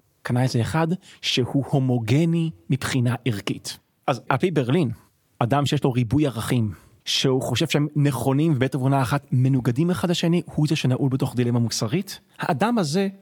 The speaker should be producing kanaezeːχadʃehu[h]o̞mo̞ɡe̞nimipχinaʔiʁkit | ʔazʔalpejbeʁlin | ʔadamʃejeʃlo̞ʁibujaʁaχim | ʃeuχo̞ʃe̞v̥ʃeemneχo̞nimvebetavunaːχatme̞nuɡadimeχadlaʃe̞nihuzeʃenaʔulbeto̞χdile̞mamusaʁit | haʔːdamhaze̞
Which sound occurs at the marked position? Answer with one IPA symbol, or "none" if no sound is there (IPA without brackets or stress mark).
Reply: h